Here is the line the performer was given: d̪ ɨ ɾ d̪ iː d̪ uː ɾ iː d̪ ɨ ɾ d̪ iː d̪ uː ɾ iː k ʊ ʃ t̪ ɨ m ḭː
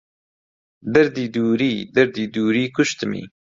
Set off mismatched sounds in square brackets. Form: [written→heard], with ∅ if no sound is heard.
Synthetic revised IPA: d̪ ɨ ɾ d̪ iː d̪ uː ɾ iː d̪ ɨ ɾ d̪ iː d̪ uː ɾ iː k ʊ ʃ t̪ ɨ m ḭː